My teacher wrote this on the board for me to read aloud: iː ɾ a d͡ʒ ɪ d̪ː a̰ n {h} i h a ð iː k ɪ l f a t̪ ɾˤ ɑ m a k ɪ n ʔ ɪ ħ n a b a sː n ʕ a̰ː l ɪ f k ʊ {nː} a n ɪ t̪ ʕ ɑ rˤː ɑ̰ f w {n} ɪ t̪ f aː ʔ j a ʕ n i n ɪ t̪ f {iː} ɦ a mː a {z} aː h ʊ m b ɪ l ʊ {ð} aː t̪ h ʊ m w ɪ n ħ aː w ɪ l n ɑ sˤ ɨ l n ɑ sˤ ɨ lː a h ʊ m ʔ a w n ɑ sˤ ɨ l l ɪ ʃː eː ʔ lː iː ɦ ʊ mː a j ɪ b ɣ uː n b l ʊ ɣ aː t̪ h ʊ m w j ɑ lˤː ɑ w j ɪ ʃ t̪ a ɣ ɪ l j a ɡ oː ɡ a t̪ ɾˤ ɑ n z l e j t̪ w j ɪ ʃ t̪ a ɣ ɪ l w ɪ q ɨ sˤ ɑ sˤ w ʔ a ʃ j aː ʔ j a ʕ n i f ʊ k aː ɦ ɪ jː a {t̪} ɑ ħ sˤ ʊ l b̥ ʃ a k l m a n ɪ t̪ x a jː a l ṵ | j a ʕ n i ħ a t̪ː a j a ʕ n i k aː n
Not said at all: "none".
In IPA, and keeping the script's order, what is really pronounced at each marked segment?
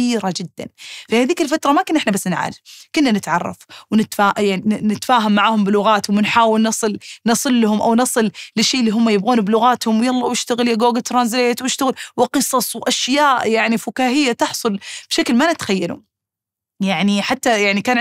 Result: f, nː, n, aː, ʕ, ɣ, t̪

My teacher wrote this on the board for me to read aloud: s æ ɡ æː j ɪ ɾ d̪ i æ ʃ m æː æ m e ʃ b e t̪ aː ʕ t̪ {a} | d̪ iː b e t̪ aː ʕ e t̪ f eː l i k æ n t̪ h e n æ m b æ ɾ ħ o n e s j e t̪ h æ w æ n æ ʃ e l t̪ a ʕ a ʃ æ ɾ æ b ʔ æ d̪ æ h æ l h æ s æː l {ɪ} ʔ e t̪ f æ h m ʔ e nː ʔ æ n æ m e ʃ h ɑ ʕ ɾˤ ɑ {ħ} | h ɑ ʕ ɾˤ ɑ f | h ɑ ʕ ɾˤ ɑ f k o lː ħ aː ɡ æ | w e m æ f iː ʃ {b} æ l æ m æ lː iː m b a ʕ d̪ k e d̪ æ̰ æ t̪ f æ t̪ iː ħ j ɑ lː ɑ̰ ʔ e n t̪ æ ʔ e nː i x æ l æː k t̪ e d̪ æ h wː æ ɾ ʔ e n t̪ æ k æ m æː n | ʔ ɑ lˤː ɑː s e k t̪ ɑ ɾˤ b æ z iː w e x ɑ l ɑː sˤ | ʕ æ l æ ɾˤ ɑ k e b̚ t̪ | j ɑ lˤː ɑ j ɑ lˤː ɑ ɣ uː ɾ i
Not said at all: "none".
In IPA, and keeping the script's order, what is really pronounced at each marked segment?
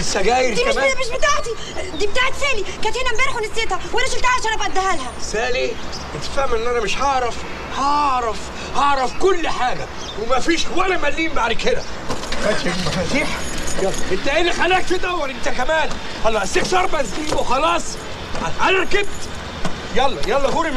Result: i, i, f, w

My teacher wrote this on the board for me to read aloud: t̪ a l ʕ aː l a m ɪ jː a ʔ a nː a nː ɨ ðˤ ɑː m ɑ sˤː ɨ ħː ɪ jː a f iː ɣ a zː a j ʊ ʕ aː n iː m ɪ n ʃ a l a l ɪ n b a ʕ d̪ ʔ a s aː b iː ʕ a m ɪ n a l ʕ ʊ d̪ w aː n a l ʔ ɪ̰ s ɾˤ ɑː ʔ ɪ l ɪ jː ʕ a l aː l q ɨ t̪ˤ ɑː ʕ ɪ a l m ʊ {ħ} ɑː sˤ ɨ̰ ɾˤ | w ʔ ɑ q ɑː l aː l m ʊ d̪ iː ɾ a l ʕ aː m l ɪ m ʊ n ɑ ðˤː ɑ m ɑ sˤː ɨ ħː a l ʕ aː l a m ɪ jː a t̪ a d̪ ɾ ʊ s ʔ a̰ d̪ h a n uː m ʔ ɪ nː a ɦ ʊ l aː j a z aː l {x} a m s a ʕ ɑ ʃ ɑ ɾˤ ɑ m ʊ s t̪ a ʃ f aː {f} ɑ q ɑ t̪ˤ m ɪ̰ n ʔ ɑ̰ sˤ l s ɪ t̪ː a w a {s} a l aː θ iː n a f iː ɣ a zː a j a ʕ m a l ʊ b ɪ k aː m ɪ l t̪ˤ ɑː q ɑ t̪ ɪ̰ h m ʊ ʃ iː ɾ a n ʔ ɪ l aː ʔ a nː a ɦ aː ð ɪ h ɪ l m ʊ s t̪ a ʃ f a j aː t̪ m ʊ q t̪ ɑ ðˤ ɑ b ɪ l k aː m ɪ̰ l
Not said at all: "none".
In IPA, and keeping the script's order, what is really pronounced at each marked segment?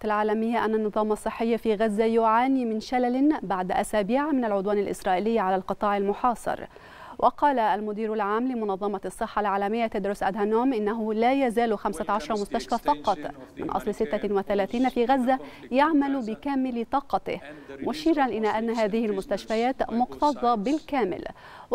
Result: ħ, x, f, θ

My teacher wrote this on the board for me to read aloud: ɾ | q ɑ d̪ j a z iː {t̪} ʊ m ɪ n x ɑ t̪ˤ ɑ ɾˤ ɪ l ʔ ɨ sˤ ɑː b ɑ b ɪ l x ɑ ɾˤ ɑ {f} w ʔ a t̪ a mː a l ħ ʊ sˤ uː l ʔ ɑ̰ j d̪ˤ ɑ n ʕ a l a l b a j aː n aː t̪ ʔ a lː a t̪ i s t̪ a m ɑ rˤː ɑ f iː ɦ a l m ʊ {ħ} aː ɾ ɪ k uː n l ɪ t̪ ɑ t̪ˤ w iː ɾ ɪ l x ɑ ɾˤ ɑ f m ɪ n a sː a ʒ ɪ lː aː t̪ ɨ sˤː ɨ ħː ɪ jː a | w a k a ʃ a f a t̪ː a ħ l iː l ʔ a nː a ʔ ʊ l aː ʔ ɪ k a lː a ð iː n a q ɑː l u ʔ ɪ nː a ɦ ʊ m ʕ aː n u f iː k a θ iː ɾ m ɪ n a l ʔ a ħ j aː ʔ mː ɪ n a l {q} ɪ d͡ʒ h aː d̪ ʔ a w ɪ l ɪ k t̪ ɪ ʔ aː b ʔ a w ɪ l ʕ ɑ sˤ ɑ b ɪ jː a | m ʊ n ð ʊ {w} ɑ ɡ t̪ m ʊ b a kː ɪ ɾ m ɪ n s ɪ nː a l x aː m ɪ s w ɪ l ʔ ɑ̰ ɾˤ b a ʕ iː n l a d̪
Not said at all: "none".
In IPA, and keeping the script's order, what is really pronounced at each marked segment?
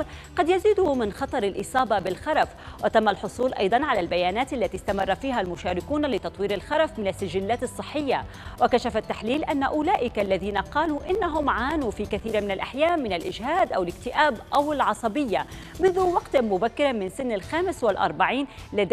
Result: d̪, f, ʃ, ʔ, w

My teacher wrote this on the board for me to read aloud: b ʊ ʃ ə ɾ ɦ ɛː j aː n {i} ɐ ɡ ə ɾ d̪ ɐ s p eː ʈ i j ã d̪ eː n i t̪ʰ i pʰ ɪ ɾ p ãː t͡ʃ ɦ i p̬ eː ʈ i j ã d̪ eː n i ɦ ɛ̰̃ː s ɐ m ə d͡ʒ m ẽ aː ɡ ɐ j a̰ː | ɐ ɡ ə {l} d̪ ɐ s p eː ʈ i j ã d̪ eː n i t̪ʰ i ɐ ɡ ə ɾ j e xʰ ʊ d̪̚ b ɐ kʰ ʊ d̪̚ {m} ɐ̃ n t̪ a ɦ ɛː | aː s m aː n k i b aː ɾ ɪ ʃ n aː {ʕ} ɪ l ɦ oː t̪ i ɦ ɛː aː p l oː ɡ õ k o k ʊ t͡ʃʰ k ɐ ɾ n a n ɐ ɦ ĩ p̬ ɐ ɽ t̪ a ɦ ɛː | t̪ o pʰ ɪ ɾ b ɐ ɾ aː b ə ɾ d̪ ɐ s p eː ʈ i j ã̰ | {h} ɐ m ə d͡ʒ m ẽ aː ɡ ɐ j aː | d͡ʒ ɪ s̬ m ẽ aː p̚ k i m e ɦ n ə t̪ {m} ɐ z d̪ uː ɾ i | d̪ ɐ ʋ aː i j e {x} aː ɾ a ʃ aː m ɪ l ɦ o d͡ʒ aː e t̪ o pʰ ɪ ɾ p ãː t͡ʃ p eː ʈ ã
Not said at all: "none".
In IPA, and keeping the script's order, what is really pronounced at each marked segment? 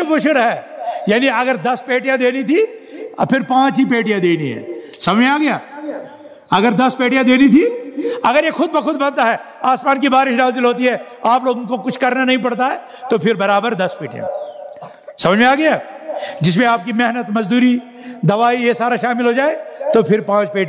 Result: i, ɾ, b, z, s, m, s

